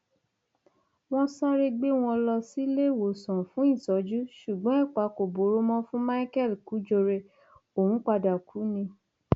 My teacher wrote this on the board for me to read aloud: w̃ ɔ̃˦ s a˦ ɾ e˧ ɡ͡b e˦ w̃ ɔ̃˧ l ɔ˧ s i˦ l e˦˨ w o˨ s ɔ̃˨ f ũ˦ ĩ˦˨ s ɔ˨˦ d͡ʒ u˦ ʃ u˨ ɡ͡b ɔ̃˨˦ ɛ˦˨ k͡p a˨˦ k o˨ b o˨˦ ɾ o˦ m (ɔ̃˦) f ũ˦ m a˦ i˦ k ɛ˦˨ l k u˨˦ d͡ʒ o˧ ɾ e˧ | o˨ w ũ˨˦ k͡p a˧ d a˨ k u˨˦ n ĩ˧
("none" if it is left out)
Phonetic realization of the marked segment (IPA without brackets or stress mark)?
ɔ̃˦